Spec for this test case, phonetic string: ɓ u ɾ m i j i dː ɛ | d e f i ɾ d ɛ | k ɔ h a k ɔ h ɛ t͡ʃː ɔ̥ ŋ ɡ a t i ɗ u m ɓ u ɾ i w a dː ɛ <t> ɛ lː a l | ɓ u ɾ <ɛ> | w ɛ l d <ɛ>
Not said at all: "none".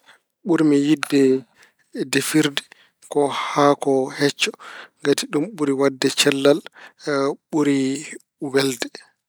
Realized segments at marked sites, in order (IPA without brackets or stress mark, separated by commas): t͡ʃ, i, ɛ